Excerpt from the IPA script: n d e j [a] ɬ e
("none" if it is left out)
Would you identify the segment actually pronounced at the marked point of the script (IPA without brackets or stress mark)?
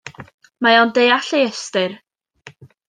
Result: a